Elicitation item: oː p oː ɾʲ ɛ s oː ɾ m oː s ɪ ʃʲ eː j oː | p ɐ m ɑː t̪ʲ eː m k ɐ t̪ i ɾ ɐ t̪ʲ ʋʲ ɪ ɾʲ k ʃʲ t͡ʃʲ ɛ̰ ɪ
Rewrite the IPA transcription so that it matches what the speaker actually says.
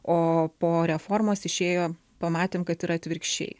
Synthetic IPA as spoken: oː p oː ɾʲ ɛ f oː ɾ m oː s ɪ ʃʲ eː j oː | p ɐ m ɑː t̪ʲ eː m k ɐ t̪ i ɾ ɐ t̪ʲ ʋʲ ɪ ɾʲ k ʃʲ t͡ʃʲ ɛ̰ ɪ